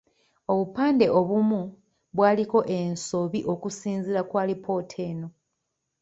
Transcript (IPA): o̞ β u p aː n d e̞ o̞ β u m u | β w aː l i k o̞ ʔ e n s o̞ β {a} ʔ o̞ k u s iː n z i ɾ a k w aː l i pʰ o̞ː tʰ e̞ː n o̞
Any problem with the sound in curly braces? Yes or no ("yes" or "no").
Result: yes